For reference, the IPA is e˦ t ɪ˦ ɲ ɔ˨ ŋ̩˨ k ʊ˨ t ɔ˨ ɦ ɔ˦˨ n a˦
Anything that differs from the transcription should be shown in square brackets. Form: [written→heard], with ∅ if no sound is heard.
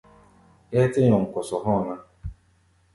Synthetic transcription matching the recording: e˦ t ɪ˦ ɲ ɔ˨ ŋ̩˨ k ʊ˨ [t→s] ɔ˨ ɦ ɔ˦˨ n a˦

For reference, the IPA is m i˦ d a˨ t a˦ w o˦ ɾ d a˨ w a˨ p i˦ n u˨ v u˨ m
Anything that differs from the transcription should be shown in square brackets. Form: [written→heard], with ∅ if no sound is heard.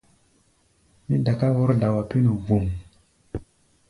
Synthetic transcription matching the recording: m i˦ d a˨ [t→k] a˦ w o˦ ɾ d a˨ w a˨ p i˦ n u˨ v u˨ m

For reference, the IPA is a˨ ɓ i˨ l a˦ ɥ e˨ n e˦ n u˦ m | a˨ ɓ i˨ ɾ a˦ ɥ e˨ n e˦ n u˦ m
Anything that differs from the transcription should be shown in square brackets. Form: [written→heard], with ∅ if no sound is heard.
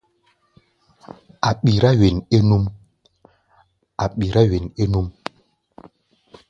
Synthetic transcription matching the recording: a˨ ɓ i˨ [l→ɾ] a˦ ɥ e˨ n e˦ n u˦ m | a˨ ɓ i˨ ɾ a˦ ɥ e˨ n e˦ n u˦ m

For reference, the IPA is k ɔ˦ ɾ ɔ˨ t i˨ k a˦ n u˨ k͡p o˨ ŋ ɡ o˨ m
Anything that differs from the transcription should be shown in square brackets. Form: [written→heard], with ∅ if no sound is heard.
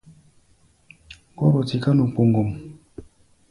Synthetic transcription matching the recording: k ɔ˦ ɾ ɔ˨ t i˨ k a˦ n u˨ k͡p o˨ ŋ ɡ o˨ m

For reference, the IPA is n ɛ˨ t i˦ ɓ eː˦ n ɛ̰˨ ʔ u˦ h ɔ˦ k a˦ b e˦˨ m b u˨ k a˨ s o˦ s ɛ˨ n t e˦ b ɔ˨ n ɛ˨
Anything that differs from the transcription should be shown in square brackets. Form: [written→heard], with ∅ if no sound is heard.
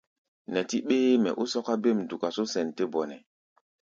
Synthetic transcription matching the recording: n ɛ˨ t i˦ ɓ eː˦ [n→m] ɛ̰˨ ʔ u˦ [h→s] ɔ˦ k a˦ b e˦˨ m [b→d] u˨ k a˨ s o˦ s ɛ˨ n t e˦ b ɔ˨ n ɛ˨

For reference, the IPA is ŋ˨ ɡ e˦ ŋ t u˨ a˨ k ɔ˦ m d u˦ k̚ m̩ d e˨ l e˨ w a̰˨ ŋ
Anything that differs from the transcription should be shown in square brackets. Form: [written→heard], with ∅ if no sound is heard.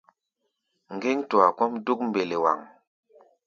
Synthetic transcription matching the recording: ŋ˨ ɡ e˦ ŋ t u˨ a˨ k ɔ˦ m d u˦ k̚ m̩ [d→b] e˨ l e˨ w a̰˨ ŋ

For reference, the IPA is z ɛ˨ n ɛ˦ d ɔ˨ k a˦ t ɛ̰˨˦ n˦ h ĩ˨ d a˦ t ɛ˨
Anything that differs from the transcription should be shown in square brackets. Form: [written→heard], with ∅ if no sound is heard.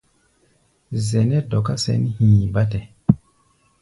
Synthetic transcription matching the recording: z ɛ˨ n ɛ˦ d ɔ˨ k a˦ [t→s] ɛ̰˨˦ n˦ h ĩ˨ [d→b] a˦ t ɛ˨

